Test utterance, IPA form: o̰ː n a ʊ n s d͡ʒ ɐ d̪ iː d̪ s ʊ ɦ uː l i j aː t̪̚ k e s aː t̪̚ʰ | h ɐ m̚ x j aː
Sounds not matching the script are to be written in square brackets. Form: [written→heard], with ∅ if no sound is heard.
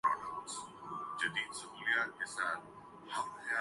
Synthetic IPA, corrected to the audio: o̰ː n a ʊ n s d͡ʒ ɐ d̪ iː d̪ s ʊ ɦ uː l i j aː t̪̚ k e s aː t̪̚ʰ | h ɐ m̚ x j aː